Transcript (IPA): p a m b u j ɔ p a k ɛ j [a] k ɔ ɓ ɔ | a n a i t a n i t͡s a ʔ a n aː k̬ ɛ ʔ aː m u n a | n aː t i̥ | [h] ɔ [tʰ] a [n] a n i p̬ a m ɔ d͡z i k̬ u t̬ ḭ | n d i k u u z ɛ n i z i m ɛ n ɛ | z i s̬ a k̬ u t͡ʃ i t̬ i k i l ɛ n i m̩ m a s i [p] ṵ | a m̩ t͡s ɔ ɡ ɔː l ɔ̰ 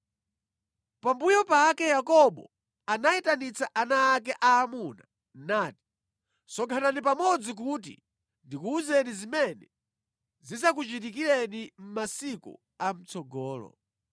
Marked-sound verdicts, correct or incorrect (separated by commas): correct, incorrect, incorrect, correct, incorrect